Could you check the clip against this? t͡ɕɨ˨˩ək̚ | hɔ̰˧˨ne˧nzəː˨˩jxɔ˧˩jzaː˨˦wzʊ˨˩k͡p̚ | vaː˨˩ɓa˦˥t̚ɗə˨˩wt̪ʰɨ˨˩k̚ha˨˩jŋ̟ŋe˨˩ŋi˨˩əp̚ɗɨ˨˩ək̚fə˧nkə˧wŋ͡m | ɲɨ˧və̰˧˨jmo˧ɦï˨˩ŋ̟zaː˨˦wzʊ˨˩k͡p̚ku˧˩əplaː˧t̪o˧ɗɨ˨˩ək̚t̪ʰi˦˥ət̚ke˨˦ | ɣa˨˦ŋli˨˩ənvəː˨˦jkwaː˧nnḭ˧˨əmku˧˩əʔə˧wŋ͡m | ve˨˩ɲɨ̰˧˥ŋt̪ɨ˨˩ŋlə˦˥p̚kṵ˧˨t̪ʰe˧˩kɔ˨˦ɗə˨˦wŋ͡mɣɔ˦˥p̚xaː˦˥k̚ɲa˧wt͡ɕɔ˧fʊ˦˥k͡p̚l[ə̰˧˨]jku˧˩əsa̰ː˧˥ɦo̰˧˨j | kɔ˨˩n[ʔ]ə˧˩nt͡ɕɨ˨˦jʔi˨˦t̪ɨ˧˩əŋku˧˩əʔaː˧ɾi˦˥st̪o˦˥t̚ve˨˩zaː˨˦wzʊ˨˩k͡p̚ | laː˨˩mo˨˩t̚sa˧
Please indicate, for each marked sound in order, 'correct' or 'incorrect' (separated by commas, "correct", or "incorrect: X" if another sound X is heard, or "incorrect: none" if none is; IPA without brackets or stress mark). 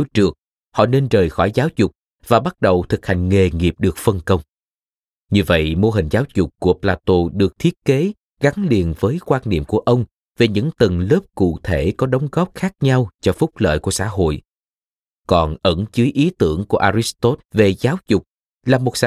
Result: incorrect: ə̰ː˧˨, correct